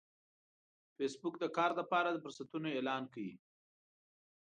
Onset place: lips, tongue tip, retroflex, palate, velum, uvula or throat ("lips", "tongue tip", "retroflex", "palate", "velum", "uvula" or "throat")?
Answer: lips